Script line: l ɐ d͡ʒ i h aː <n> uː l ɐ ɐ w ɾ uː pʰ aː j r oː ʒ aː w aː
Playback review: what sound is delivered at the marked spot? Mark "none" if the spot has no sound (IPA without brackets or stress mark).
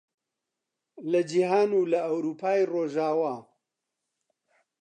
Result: n